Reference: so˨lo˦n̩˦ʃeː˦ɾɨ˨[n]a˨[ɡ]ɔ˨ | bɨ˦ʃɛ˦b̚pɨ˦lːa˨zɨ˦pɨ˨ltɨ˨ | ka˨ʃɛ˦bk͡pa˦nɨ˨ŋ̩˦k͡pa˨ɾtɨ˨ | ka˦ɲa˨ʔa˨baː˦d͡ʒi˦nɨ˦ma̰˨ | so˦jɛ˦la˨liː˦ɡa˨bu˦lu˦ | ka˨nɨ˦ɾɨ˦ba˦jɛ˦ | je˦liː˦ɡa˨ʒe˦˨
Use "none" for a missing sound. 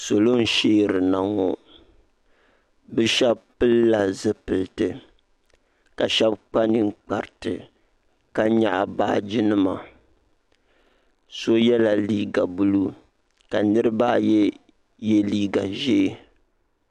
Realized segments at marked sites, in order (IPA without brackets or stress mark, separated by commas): n, ŋ